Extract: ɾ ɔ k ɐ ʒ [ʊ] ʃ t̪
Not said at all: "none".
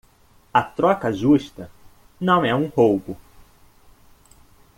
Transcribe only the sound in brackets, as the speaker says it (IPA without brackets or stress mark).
u